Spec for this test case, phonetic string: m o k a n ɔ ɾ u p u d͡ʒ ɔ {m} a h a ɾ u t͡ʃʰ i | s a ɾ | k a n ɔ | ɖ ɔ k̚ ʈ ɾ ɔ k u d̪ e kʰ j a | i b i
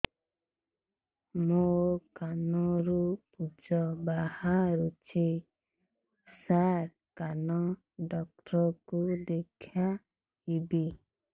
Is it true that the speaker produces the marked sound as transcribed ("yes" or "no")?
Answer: no